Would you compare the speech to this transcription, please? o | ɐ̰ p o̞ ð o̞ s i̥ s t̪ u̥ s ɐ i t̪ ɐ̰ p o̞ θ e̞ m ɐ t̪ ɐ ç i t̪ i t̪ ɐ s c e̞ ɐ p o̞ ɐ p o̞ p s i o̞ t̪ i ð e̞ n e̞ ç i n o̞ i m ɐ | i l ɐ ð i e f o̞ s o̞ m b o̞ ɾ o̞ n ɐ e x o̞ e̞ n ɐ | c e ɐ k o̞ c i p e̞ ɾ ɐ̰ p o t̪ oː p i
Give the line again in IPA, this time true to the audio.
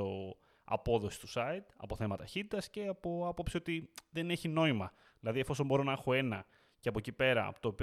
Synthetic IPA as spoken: o | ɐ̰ p o̞ ð o̞ s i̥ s t̪ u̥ s ɐ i t̪ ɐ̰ p o̞ θ e̞ m ɐ t̪ ɐ ç i t̪ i t̪ ɐ s c e̞ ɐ p o̞ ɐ p o̞ p s i o̞ t̪ i ð e̞ n e̞ ç i n o̞ i m ɐ | i l ɐ ð i e f o̞ s o̞ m b o̞ ɾ o̞ n ɐ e x o̞ e̞ n ɐ | c e ɐ p o̞ c i p e̞ ɾ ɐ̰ p o t̪ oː p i